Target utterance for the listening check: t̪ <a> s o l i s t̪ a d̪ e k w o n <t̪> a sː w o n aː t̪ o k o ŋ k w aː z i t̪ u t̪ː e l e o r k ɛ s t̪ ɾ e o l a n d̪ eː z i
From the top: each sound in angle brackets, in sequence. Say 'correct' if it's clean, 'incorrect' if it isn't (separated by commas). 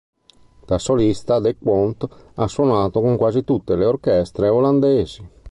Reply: correct, correct